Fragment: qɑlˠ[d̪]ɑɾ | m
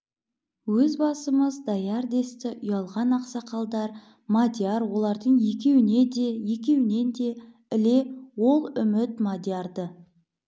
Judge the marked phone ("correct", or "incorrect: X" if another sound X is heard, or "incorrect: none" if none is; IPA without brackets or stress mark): correct